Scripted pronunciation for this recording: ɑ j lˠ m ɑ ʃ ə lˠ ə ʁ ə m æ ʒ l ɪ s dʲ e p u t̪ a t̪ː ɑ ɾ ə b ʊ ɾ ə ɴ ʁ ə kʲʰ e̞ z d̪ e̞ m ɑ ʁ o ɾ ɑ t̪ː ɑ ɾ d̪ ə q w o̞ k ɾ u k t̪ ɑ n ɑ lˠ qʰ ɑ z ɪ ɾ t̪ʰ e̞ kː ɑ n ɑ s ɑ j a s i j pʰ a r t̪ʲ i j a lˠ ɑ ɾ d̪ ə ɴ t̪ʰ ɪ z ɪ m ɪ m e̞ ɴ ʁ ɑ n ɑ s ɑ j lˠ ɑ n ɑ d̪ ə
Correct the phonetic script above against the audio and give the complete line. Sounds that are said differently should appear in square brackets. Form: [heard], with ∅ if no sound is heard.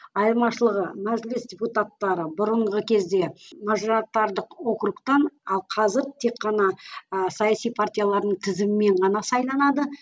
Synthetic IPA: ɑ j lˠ m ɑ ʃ ə lˠ ə ʁ ə m æ ʒ l ɪ s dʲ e p u t̪ a t̪ː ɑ ɾ ə b ʊ ɾ ə ɴ ʁ ə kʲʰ e̞ z d̪ e̞ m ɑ [ʒ] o ɾ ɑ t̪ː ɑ ɾ d̪ ə q w o̞ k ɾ u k t̪ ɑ n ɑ lˠ qʰ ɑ z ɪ ɾ t̪ʰ e̞ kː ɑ n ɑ s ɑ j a s i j pʰ a r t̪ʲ i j a lˠ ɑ ɾ d̪ ə ɴ t̪ʰ ɪ z ɪ m ɪ m e̞ ɴ ʁ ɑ n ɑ s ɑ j lˠ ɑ n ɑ d̪ ə